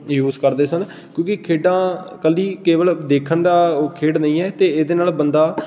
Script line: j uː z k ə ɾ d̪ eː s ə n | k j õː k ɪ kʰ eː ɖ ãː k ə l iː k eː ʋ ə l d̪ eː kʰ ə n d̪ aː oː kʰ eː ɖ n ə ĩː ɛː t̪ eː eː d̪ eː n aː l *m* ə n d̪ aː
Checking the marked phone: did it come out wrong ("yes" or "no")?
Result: yes